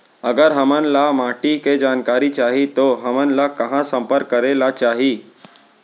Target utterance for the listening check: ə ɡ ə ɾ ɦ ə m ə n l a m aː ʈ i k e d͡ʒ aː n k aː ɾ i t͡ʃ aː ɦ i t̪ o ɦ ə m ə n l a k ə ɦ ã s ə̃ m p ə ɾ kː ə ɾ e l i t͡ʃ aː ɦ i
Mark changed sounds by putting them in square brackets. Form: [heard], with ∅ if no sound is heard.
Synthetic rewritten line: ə ɡ ə ɾ ɦ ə m ə n l a m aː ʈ i k e d͡ʒ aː n k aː ɾ i t͡ʃ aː ɦ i t̪ o ɦ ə m ə n l a k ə ɦ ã s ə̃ m p ə ɾ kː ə ɾ e l [a] t͡ʃ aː ɦ i